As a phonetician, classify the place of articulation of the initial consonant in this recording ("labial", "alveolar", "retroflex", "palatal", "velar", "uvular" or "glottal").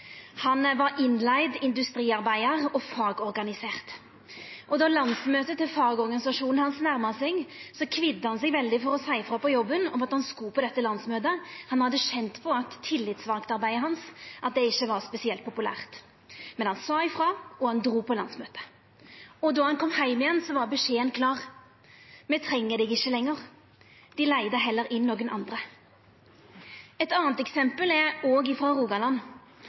glottal